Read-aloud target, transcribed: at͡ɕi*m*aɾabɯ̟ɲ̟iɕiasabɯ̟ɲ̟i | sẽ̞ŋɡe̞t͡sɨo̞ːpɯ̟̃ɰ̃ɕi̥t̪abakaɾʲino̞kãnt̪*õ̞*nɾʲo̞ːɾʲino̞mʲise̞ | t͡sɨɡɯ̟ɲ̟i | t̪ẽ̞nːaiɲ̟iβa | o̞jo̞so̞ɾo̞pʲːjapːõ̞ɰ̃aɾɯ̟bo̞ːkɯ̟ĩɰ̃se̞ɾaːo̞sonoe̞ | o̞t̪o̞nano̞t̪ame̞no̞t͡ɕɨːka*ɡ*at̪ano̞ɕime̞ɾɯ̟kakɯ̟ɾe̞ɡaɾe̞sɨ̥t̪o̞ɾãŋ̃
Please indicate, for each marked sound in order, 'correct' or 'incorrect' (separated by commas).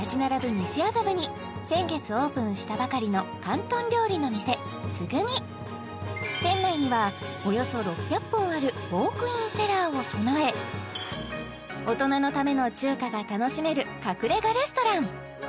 incorrect, correct, correct